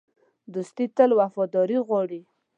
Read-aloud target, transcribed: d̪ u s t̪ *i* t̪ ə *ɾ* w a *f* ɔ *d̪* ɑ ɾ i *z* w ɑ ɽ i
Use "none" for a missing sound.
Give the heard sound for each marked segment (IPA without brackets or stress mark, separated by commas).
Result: i, l, f, d̪, ɣ